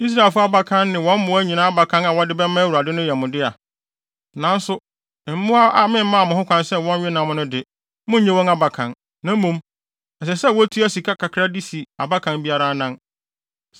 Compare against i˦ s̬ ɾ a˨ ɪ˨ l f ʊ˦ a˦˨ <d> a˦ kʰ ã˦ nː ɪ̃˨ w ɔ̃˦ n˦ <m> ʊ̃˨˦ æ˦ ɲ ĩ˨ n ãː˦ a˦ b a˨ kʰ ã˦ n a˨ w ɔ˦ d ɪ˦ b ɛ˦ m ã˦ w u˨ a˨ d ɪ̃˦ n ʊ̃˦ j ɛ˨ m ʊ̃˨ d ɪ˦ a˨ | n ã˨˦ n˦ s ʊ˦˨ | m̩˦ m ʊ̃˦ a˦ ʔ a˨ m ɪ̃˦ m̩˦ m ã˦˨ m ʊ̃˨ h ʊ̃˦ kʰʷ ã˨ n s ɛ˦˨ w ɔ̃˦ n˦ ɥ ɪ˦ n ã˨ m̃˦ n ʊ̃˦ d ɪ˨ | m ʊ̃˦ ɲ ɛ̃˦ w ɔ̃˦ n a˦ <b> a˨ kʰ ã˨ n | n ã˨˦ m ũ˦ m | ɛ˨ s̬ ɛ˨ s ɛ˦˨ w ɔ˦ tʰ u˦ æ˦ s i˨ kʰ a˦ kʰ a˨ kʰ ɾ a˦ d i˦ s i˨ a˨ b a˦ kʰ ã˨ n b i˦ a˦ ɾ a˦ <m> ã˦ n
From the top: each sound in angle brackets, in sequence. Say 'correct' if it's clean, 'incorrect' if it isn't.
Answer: incorrect: b, correct, correct, incorrect: n

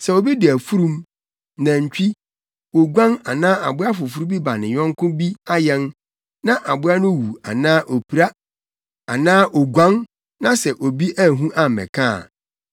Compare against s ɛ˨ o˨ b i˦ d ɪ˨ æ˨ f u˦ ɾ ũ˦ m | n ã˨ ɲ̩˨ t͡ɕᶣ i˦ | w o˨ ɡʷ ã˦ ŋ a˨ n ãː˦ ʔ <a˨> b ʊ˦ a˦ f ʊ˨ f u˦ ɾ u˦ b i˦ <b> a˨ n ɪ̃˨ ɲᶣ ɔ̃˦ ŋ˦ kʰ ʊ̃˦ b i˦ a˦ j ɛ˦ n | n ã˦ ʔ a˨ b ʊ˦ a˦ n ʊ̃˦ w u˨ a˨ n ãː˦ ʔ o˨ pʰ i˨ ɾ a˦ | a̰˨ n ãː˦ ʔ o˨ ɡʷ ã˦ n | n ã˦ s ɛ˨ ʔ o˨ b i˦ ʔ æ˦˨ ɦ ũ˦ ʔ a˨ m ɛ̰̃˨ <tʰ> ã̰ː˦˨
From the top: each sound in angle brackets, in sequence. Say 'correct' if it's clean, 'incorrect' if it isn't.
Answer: correct, correct, incorrect: kʰ

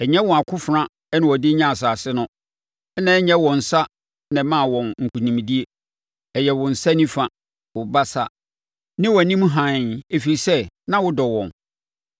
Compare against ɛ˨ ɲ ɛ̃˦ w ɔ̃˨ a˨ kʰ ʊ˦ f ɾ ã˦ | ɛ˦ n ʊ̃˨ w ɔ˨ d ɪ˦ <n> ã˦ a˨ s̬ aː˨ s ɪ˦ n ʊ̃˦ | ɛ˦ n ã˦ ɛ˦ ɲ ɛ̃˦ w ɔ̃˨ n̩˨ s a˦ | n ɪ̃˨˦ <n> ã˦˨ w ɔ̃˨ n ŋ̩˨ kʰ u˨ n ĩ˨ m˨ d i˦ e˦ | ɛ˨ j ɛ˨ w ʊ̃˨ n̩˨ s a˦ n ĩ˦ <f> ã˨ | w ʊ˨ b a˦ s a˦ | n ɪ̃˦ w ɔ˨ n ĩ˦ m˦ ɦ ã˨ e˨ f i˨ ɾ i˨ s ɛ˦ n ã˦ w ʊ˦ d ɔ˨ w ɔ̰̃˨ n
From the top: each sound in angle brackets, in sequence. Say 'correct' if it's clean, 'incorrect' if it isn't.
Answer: incorrect: ɲ, incorrect: m, correct

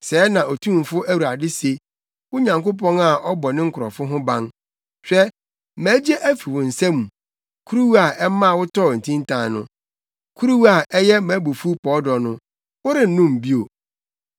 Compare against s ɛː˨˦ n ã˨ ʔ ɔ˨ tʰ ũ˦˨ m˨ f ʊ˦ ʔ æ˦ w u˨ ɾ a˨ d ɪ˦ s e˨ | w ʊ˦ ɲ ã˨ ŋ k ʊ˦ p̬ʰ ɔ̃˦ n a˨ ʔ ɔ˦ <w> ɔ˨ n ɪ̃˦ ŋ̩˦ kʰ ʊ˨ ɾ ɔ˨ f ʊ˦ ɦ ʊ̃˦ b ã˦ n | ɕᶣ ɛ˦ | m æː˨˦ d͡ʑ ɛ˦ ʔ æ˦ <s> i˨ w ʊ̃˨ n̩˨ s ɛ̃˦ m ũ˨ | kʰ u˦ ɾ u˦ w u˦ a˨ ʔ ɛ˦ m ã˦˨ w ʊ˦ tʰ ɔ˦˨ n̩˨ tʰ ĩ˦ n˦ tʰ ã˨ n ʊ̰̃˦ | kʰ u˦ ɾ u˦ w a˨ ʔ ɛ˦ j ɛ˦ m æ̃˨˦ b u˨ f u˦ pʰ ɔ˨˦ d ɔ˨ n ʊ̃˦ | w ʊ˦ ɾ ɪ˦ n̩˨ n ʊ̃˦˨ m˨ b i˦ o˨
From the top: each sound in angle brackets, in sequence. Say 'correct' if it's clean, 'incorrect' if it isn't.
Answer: incorrect: b, incorrect: f

